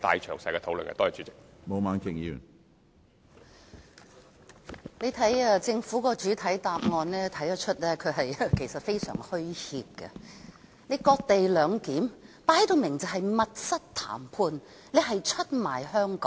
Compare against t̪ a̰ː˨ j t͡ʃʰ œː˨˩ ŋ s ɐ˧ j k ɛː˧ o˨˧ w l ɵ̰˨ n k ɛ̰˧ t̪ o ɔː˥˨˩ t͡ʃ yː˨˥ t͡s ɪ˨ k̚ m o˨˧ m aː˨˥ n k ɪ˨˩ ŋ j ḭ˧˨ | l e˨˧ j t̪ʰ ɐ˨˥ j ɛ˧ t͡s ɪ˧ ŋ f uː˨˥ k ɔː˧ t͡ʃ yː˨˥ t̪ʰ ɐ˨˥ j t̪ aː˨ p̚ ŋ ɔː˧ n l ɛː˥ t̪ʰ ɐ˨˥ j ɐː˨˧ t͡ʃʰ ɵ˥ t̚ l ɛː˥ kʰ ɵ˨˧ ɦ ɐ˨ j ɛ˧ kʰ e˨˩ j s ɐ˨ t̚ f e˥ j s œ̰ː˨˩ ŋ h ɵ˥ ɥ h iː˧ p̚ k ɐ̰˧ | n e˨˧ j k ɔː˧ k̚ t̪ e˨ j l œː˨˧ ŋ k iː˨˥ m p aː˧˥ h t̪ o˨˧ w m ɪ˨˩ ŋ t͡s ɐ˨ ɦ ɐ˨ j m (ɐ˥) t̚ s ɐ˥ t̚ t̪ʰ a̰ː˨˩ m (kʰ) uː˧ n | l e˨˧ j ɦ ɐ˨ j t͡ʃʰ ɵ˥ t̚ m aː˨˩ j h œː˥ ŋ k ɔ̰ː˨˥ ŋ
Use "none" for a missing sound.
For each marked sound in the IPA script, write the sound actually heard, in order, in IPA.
ɐ˨, pʰ

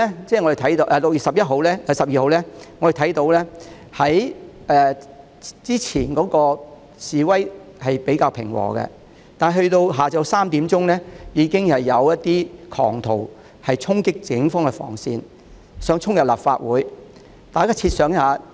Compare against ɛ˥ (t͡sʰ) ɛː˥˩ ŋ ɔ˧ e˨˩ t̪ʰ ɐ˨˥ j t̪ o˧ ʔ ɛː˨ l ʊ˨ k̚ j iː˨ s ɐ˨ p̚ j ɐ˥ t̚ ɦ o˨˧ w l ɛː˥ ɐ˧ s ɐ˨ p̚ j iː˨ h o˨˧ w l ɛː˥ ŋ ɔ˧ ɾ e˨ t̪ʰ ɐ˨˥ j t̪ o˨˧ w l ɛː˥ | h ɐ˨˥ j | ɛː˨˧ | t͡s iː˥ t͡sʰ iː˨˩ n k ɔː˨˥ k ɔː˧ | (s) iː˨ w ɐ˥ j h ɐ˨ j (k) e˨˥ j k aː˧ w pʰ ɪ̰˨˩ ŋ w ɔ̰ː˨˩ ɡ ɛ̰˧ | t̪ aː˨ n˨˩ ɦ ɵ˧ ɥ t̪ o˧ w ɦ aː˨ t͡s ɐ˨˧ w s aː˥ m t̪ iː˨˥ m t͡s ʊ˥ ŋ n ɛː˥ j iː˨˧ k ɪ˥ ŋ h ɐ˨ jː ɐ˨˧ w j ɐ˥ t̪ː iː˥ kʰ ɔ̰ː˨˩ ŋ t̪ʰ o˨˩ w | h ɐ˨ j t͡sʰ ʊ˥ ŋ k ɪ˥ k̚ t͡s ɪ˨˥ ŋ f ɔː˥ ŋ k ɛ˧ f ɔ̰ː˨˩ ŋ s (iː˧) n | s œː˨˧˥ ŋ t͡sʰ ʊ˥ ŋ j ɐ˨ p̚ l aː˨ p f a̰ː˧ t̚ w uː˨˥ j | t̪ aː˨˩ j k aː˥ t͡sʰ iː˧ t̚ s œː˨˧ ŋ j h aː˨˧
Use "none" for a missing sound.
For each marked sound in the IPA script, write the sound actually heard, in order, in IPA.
t͡s, s, p, iː˧

